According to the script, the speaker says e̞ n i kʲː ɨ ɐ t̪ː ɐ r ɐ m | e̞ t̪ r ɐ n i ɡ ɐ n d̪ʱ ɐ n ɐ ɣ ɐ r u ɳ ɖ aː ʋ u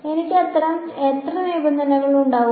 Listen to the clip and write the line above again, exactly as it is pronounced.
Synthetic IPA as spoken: e̞ n i kʲː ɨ ɐ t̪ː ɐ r ɐ m | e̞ t̪ r ɐ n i b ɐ n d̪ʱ ɐ n ɐ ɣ ɐ ɭ u ɳ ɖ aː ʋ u